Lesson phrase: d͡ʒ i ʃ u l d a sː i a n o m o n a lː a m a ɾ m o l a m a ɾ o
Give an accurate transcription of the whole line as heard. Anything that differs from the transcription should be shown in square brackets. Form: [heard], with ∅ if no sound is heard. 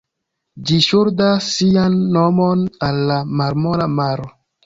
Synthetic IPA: d͡ʒ i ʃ u [ɾ] d a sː i a [nː] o m o n a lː a m a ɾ m o l a m a ɾ o